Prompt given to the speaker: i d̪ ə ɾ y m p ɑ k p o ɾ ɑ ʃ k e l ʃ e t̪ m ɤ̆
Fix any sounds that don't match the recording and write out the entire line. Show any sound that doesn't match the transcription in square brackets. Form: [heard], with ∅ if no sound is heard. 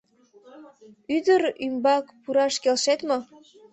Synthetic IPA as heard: [y] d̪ ə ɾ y m [b] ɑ k p [u] ɾ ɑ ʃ k e l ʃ e t̪ m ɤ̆